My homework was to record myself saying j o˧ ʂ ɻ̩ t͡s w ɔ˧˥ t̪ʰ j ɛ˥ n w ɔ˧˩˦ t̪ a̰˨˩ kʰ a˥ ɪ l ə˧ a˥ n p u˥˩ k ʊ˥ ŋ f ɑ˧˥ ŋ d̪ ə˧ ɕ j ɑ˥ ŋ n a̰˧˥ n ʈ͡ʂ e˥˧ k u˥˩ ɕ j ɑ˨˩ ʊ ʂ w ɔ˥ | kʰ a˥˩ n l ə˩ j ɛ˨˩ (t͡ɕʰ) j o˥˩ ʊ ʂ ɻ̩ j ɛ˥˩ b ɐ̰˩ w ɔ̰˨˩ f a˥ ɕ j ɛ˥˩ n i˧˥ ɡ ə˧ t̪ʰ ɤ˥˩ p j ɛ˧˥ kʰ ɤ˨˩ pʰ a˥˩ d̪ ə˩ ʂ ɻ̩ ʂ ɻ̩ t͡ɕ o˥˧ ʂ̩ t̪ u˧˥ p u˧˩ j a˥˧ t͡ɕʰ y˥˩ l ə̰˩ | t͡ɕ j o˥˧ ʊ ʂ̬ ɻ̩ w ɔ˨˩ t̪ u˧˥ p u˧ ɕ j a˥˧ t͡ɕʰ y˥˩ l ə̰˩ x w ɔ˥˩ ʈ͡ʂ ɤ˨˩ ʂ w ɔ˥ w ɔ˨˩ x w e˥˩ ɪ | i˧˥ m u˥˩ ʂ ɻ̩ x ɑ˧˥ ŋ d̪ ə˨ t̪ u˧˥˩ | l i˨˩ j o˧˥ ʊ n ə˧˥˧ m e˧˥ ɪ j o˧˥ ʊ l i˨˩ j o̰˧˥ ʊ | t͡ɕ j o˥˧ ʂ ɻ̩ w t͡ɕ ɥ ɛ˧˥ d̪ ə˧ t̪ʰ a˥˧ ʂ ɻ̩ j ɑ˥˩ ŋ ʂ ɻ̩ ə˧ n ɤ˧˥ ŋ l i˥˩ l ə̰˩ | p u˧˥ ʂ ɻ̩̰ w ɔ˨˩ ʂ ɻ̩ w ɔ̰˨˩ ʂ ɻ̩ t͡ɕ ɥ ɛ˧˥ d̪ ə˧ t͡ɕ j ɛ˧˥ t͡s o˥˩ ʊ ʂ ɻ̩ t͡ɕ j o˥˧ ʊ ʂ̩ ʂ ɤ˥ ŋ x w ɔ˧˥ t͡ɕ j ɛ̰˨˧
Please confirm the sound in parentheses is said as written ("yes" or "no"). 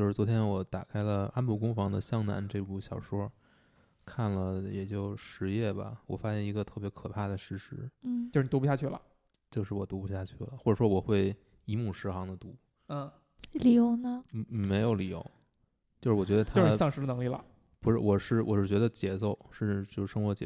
no